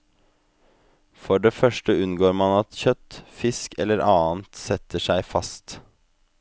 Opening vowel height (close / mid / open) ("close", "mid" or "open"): mid